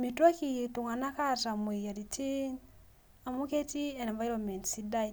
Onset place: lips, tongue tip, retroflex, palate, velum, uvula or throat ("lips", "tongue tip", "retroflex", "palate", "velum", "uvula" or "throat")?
lips